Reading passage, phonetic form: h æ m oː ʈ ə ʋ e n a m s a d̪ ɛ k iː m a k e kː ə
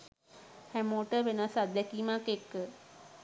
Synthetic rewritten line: h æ m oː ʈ ə ʋ e n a s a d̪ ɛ k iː m a k e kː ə